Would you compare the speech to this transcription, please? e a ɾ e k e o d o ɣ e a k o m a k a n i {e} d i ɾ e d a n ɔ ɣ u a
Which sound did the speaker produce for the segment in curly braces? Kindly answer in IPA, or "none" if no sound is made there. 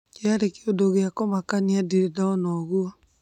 a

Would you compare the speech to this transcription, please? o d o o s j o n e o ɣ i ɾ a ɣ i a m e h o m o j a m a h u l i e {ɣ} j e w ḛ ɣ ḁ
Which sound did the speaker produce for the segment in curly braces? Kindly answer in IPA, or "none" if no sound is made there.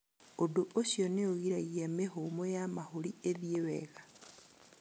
ð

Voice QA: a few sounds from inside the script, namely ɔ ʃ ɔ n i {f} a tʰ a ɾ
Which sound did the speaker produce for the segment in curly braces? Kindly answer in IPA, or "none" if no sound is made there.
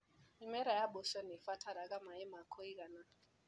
f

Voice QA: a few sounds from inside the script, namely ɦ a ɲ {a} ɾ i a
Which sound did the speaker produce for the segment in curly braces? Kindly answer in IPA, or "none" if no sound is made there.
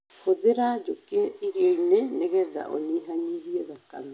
i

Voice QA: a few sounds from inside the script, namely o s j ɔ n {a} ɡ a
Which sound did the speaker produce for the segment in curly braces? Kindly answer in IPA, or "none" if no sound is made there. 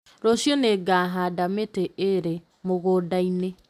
e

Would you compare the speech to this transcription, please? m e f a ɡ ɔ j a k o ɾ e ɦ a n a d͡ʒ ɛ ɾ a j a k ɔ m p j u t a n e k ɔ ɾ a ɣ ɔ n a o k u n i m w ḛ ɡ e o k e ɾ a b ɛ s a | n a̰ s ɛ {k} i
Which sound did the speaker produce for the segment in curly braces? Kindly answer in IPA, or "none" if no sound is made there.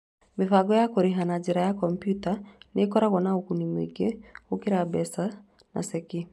k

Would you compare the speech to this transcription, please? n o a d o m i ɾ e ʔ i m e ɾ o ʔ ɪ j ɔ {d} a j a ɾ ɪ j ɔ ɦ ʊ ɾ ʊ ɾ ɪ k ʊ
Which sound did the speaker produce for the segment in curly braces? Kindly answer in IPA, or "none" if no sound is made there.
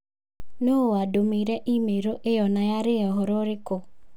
n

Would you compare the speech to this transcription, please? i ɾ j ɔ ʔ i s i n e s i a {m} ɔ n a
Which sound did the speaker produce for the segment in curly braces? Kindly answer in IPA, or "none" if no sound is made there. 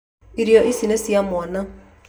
m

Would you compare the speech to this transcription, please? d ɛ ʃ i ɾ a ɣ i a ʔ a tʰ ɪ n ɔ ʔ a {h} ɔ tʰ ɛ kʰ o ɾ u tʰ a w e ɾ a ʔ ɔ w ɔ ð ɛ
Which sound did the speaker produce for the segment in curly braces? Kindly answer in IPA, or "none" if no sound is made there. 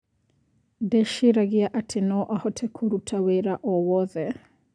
h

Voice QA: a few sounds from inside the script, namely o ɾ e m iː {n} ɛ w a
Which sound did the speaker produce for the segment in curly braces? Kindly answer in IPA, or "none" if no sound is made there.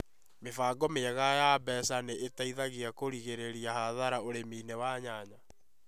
n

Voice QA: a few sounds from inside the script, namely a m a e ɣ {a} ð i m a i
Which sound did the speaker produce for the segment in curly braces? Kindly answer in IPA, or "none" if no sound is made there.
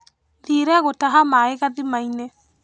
a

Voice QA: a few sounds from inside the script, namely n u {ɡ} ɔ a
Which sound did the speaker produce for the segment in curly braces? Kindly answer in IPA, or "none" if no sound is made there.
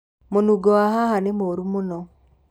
ɡ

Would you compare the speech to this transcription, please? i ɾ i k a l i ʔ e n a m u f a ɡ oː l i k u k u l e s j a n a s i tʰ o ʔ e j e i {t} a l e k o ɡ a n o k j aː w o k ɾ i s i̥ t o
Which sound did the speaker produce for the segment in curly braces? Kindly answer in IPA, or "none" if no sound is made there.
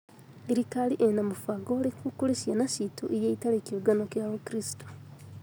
t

